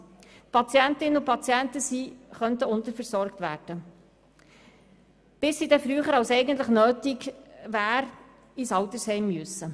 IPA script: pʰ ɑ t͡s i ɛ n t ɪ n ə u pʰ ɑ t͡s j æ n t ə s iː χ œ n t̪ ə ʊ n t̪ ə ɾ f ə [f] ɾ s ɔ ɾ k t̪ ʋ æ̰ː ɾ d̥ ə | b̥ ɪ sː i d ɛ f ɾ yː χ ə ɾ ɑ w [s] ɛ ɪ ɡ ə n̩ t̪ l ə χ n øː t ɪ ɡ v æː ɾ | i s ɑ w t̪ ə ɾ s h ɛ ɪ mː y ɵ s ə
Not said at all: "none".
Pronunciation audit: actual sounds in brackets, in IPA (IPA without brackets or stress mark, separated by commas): none, s